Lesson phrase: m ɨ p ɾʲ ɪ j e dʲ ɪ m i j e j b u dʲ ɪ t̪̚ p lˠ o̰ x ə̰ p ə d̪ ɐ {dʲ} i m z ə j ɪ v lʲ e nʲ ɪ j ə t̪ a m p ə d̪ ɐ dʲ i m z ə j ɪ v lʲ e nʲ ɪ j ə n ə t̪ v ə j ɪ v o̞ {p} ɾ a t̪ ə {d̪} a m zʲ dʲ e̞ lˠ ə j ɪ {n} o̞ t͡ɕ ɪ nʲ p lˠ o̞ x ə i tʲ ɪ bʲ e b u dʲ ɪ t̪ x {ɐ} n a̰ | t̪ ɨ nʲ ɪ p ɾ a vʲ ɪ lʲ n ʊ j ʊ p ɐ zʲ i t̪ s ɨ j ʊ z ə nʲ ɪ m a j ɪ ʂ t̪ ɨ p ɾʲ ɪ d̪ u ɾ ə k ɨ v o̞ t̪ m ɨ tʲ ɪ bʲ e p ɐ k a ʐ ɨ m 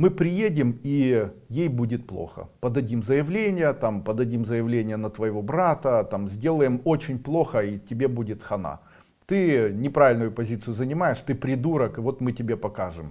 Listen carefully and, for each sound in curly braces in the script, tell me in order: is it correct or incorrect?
correct, incorrect: b, incorrect: t̪, incorrect: m, correct

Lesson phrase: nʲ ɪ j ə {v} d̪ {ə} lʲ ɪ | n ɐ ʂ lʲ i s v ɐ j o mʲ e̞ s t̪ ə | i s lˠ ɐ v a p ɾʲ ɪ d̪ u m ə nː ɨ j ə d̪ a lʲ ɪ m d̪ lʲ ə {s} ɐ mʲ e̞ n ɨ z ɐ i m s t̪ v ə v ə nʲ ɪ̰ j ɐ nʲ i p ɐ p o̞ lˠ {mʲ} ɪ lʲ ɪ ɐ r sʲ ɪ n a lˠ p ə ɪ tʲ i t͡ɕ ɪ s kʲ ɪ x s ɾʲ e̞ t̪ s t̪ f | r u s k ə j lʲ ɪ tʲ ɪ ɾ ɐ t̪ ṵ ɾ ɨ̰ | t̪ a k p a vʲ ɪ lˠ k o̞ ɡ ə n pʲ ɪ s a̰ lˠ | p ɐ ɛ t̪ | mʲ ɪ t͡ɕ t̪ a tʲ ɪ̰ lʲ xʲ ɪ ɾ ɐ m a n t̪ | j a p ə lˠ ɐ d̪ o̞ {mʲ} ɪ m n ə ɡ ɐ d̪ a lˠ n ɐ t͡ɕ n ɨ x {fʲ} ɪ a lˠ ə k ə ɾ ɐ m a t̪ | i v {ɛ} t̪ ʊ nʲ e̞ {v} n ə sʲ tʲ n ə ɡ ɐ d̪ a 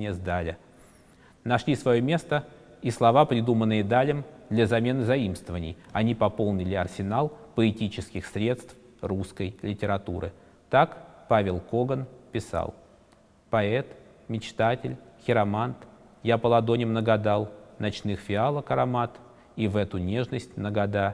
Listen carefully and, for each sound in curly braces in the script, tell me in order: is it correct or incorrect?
incorrect: z, incorrect: a, incorrect: z, incorrect: nʲ, incorrect: nʲ, correct, correct, incorrect: ʐ

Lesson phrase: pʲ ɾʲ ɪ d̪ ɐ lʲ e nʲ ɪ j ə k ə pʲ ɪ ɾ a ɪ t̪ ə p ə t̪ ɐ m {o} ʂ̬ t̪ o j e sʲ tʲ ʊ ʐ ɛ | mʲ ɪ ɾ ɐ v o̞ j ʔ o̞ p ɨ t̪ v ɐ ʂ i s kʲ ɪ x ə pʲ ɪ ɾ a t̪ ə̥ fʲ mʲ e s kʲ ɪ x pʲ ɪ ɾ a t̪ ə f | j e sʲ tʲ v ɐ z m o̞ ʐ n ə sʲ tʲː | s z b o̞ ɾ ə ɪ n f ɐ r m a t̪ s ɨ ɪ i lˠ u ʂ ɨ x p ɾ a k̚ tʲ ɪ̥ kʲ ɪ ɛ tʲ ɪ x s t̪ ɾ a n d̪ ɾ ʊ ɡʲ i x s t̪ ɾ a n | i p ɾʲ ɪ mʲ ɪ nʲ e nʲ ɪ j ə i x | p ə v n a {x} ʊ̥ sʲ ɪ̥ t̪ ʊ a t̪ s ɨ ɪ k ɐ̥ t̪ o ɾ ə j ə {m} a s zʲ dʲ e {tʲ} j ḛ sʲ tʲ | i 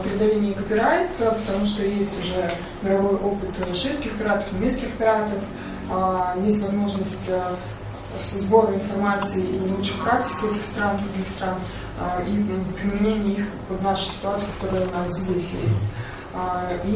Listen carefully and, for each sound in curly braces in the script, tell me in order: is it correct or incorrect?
incorrect: u, incorrect: ʂ, incorrect: n, incorrect: sʲ

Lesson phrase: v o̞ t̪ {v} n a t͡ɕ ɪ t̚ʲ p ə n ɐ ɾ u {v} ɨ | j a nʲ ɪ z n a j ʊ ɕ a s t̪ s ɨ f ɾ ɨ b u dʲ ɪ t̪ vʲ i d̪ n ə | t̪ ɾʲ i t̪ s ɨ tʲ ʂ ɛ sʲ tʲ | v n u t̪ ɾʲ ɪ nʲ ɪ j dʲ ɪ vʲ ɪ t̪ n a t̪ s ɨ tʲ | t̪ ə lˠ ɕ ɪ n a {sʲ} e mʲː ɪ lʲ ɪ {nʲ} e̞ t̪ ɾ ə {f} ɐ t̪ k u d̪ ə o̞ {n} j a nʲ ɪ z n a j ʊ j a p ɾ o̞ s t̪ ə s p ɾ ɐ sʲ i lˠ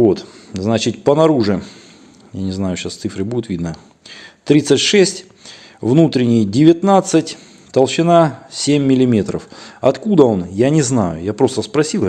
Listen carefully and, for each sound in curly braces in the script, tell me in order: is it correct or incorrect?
incorrect: z, incorrect: ʐ, correct, incorrect: mʲ, correct, correct

